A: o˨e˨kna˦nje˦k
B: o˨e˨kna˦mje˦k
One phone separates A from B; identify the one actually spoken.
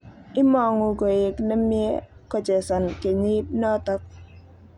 B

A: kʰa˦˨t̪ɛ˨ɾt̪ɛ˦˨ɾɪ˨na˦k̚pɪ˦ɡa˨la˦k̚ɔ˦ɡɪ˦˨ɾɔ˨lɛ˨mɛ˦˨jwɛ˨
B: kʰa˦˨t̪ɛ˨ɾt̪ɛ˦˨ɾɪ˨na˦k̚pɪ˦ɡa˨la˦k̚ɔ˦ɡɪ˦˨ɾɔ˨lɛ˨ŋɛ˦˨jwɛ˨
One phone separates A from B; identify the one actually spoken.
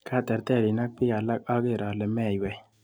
A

